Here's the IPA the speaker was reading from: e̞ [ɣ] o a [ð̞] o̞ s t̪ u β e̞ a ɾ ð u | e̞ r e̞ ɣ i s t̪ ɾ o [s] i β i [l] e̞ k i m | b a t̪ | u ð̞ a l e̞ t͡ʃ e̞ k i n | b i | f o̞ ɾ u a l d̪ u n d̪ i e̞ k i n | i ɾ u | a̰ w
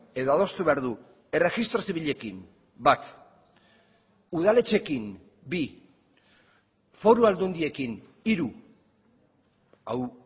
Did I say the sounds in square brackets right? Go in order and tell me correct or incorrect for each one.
incorrect: ð, correct, correct, incorrect: ʎ

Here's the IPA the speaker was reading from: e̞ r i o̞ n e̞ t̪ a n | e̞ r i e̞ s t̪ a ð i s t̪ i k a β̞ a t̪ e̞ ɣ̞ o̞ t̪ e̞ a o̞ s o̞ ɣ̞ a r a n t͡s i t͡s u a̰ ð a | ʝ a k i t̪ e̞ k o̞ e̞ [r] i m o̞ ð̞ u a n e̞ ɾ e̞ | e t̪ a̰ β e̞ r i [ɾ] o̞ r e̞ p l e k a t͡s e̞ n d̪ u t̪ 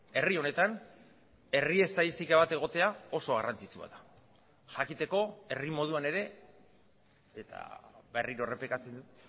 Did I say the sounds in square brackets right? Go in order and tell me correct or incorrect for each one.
correct, correct

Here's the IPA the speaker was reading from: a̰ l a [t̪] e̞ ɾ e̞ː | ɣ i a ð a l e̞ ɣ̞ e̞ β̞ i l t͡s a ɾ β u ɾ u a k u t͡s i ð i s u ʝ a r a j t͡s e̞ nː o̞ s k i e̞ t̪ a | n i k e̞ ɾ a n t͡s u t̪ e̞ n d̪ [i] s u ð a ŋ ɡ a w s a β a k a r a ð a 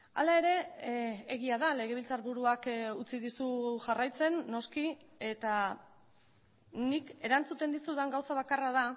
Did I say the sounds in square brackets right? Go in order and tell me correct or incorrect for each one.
incorrect: none, correct

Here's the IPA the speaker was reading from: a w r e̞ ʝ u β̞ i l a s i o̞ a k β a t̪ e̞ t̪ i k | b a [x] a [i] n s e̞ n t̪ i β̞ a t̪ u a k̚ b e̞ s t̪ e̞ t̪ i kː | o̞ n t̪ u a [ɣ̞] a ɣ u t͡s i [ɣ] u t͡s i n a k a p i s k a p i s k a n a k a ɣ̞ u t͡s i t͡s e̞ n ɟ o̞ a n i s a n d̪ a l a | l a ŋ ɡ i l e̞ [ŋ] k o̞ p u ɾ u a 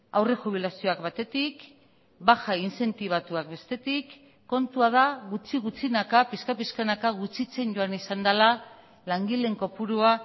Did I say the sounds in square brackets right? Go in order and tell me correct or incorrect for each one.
correct, correct, incorrect: ð̞, correct, correct

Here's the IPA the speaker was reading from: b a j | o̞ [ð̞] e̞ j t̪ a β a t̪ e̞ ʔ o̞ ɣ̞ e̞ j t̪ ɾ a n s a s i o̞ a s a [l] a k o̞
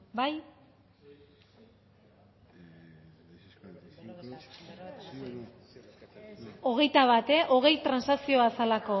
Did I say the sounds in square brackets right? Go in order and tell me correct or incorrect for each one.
incorrect: ɣ̞, correct

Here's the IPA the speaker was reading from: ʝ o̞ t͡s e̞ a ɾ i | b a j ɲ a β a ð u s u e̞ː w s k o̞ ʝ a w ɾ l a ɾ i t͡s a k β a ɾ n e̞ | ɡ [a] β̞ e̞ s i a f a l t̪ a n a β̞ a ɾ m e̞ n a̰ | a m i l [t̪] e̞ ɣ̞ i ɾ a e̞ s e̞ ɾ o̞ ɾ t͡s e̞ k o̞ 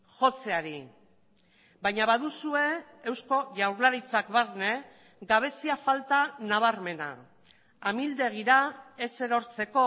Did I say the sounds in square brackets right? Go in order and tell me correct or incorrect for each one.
correct, incorrect: d̪

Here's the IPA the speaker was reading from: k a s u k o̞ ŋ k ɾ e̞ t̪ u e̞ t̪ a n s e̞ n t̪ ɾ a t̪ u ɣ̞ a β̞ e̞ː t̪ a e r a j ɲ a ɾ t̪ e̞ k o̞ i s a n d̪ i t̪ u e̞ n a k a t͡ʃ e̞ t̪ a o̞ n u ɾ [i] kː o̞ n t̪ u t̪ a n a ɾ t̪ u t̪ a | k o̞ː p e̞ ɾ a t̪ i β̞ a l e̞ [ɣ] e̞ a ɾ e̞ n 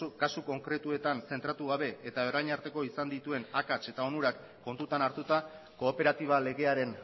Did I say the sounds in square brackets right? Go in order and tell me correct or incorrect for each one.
incorrect: a, correct

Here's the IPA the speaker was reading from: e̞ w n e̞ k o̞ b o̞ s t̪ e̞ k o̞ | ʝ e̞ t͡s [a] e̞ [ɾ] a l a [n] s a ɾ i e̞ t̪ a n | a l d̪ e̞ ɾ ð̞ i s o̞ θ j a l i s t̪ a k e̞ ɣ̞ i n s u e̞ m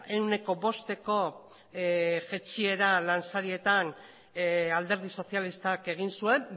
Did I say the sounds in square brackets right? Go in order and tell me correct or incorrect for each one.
incorrect: i, correct, correct

